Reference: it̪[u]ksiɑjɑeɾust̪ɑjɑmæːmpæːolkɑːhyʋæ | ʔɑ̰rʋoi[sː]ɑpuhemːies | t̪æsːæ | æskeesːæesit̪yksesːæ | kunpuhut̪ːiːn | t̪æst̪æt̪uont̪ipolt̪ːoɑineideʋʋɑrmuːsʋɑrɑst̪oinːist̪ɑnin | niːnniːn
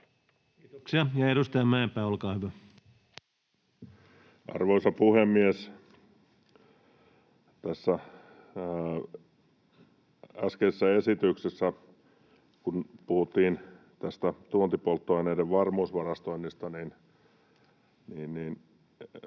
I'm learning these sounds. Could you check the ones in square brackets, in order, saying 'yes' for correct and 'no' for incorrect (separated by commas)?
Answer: no, no